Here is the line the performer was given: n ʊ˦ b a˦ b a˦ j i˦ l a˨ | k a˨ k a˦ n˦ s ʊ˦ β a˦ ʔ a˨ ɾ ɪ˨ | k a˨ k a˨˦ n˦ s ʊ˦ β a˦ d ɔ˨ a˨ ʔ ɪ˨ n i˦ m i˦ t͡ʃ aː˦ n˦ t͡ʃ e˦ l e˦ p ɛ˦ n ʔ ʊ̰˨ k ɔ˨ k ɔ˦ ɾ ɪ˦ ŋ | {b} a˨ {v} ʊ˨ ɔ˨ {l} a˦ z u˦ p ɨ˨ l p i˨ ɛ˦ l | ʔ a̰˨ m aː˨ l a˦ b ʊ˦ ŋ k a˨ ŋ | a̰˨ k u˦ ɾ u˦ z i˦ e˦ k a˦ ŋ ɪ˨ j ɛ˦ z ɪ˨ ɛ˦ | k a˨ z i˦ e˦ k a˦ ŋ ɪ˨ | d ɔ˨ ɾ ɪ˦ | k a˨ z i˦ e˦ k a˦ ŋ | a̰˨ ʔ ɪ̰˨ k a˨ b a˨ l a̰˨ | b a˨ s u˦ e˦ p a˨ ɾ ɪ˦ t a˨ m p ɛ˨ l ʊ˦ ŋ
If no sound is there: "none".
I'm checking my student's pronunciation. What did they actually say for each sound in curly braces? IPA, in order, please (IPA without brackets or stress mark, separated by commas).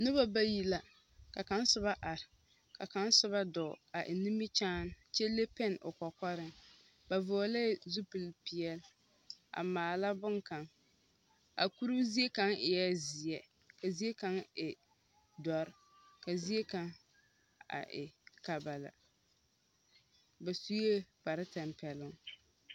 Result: b, v, l